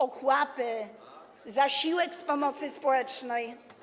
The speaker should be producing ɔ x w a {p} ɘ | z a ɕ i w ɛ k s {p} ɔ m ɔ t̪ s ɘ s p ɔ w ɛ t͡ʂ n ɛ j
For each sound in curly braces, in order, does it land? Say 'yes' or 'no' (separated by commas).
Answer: yes, yes